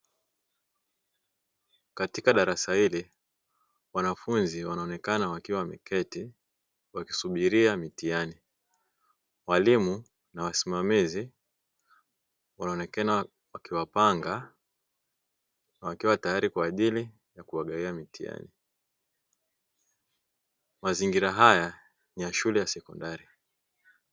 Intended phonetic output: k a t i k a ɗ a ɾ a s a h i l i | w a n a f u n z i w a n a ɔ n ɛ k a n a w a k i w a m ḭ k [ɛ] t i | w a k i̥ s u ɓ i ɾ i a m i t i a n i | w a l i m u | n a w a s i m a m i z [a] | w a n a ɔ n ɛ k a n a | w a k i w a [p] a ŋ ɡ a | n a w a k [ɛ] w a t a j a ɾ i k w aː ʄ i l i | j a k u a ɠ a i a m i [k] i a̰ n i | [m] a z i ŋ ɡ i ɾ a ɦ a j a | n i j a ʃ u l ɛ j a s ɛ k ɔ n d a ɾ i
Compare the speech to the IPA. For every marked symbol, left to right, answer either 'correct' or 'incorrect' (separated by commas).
correct, incorrect, correct, incorrect, incorrect, correct